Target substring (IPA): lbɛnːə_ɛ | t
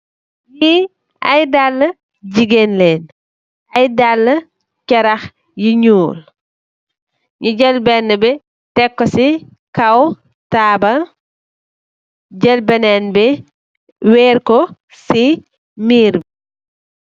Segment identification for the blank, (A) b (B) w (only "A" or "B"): A